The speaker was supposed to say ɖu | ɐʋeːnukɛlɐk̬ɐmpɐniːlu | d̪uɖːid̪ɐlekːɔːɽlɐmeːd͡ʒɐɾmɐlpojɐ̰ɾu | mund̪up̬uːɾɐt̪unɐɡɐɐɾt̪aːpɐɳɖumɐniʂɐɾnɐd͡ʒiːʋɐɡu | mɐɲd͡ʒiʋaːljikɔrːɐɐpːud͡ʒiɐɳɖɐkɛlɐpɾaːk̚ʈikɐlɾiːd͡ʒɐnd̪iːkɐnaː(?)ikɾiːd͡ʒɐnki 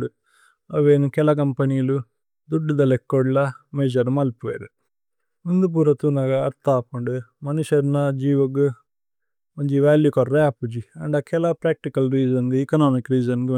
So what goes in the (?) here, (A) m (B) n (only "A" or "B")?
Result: A